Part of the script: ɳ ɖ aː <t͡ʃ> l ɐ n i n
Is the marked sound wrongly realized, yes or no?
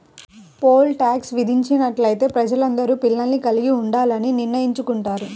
yes